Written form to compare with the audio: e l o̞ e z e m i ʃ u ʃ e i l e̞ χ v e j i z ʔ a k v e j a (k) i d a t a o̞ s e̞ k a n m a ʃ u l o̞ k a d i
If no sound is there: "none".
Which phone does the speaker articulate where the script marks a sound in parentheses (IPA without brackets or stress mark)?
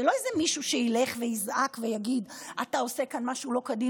ɡ